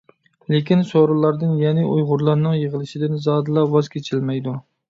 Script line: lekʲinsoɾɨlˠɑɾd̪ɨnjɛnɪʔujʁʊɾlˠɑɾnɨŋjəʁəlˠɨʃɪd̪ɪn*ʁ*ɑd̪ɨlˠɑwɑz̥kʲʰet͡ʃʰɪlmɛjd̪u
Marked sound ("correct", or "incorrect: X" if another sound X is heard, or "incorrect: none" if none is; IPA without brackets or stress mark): incorrect: z